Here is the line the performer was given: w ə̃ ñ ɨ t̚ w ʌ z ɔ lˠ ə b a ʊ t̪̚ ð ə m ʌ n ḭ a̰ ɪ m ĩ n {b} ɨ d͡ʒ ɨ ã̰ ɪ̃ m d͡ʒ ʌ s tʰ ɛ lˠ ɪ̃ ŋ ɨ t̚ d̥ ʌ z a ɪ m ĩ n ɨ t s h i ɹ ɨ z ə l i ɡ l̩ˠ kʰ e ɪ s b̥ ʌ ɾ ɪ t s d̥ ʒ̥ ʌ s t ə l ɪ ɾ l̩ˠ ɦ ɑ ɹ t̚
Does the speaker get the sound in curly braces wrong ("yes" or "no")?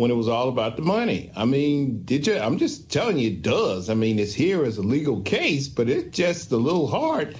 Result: yes